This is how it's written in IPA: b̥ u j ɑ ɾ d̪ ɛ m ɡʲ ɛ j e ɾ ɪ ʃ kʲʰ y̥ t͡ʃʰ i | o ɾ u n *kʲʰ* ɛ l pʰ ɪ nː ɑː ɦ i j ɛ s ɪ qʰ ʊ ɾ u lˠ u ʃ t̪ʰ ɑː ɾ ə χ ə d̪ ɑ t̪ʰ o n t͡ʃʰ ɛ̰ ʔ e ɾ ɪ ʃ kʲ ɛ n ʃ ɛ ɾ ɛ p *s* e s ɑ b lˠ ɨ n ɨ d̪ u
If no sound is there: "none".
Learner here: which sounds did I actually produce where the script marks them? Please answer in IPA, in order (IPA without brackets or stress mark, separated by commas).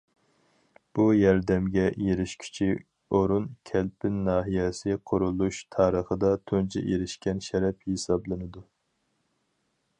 kʲʰ, h